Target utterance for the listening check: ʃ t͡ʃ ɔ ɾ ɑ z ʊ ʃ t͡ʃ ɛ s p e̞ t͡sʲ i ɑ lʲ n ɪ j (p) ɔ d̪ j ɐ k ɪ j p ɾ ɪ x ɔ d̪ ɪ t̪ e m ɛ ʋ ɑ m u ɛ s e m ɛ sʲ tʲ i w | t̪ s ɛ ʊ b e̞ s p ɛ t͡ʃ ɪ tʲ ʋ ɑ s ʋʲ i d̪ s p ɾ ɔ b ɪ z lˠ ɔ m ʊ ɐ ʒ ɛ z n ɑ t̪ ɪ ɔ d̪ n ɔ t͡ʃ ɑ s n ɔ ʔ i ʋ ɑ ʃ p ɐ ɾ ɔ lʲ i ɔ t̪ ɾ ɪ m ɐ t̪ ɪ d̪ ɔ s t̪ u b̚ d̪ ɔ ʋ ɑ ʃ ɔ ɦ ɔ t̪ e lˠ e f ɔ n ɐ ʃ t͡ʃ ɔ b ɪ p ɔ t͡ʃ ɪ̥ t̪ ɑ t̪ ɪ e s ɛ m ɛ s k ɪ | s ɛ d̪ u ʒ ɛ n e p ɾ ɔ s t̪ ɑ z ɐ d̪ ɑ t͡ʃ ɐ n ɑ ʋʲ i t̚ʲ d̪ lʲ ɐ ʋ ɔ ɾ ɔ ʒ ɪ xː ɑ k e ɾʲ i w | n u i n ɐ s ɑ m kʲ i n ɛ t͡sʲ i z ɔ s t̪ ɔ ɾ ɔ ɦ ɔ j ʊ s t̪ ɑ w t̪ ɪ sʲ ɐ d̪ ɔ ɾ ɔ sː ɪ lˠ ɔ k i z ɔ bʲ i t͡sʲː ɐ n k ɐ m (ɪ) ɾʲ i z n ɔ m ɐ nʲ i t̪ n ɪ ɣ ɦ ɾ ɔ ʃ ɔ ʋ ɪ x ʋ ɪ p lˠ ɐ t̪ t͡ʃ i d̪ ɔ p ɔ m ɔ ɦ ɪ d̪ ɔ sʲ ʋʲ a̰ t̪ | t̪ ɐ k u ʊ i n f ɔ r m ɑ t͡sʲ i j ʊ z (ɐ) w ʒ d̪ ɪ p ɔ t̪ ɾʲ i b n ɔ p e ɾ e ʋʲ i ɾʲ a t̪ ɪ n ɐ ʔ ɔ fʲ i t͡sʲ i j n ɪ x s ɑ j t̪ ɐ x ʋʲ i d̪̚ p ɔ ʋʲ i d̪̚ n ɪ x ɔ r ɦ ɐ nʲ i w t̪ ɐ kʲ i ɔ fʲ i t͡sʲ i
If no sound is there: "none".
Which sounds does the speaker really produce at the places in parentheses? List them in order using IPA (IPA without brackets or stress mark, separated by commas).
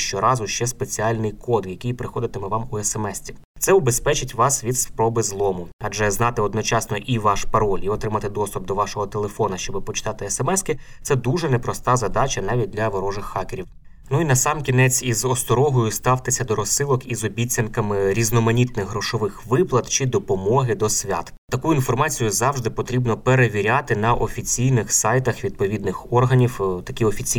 k, ɪ, ɑ